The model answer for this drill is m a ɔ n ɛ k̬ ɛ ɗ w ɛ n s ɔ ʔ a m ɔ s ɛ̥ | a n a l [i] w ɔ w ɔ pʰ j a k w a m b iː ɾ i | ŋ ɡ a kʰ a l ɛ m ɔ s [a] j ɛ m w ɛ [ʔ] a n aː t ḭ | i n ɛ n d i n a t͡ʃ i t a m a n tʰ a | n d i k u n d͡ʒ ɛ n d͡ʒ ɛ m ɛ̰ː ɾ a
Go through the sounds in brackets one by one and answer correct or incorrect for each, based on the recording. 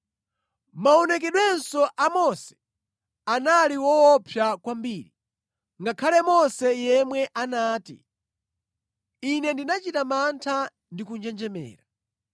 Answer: correct, incorrect: ɛ, correct

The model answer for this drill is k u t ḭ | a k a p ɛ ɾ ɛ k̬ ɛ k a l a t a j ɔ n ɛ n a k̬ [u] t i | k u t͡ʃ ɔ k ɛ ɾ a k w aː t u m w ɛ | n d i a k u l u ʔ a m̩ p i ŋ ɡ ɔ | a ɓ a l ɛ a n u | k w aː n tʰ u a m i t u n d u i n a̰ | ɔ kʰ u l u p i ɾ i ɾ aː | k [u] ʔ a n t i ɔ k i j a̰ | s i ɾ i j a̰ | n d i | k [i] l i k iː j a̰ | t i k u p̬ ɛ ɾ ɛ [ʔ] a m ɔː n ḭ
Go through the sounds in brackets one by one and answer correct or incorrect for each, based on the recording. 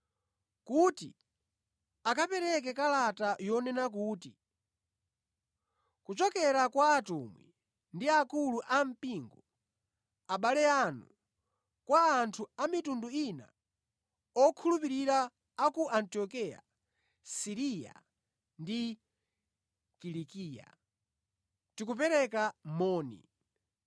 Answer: incorrect: uː, correct, correct, incorrect: k

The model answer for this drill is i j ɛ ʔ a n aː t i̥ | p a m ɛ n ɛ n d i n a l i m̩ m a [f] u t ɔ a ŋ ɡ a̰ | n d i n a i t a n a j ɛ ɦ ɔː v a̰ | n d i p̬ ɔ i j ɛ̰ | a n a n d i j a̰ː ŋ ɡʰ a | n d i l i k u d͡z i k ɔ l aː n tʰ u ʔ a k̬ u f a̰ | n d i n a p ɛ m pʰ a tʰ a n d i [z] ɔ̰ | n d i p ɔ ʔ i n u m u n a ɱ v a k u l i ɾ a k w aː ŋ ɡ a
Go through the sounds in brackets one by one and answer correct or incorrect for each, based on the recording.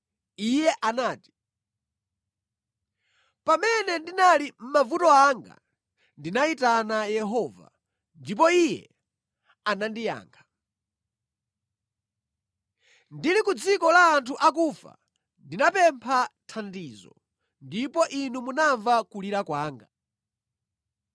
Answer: incorrect: v, correct

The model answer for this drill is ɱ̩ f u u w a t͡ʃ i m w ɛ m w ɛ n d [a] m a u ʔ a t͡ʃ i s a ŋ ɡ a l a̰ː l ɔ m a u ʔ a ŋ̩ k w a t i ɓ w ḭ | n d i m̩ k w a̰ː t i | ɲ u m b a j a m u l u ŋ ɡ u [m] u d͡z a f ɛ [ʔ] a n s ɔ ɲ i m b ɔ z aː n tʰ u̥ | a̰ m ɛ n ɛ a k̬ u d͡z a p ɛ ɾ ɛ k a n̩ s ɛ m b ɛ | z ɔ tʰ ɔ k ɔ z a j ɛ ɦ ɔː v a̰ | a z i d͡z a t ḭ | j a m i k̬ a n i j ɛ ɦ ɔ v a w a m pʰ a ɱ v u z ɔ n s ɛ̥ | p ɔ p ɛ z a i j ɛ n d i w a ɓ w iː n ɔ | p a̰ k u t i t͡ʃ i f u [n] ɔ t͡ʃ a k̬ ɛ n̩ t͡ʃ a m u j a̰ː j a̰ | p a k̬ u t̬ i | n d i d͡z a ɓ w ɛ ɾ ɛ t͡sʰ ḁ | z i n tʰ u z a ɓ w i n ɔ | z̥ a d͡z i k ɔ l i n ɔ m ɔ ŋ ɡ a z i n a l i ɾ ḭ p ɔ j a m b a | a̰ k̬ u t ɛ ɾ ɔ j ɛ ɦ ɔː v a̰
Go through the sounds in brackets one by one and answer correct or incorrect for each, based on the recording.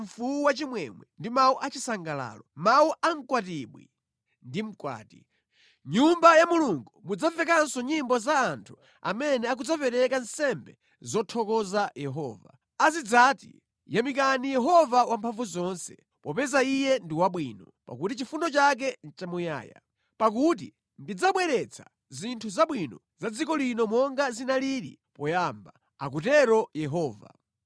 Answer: incorrect: i, correct, incorrect: k, correct

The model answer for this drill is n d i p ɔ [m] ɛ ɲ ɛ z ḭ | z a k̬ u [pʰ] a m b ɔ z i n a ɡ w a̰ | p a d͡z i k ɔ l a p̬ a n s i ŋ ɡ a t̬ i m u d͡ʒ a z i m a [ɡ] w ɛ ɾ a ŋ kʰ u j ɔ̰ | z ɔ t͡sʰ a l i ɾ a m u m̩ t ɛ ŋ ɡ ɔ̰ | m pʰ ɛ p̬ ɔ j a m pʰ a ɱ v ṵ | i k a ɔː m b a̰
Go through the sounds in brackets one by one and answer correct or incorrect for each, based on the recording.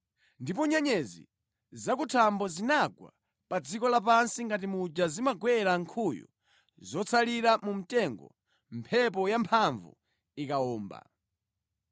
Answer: incorrect: ɲ, incorrect: tʰ, correct

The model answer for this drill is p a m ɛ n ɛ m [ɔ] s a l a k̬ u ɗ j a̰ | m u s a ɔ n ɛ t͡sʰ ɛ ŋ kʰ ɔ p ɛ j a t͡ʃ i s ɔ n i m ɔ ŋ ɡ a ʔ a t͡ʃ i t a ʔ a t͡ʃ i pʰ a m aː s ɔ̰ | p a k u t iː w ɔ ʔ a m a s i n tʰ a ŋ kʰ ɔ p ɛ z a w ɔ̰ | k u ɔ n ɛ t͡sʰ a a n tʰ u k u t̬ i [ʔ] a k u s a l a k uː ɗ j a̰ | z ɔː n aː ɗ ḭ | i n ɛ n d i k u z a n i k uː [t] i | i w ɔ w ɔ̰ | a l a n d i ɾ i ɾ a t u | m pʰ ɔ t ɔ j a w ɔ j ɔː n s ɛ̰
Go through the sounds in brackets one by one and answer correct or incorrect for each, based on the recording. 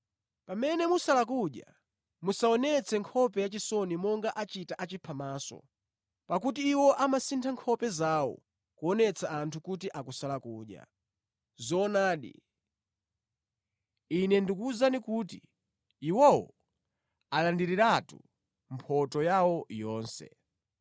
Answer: incorrect: u, correct, correct

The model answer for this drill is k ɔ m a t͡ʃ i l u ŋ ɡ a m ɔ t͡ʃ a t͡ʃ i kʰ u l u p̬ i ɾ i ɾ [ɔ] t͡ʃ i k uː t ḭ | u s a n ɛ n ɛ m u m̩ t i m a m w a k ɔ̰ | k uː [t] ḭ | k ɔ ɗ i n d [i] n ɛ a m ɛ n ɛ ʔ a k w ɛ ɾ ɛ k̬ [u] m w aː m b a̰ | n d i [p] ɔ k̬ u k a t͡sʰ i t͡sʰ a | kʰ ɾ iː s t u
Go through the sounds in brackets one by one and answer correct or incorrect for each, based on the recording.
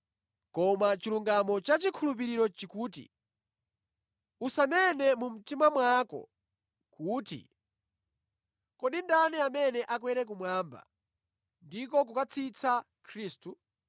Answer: correct, correct, incorrect: a, correct, incorrect: k

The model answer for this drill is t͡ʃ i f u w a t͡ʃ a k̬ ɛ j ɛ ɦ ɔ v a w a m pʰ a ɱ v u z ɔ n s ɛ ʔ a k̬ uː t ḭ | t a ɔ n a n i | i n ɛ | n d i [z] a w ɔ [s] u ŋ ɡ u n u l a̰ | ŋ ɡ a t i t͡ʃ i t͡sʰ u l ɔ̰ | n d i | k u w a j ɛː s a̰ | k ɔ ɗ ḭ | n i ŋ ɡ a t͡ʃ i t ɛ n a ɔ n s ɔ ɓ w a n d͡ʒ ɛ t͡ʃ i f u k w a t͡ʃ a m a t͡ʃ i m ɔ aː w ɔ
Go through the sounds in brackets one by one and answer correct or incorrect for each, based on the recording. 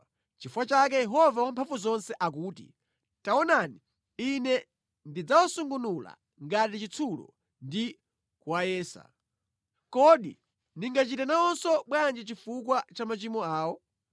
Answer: incorrect: d͡z, correct

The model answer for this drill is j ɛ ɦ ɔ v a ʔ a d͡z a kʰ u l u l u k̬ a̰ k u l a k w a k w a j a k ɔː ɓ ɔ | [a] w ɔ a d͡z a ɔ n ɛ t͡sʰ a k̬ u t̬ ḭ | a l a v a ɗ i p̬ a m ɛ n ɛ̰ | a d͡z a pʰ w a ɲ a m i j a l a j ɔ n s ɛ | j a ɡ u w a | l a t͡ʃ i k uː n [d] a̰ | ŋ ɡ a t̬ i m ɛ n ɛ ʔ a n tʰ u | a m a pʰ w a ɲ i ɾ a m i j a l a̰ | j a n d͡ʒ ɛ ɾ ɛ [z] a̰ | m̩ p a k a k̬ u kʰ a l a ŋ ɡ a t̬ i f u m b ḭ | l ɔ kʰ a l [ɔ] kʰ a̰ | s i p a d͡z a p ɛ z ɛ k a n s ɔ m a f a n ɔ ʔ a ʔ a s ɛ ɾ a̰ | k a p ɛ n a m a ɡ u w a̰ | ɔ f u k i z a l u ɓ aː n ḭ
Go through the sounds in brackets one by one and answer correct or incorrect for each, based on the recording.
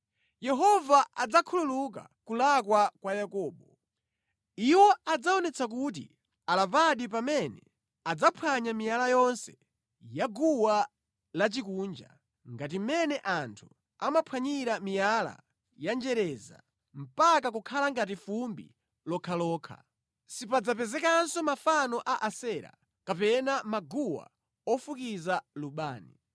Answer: incorrect: i, incorrect: d͡ʒ, correct, incorrect: ɔː

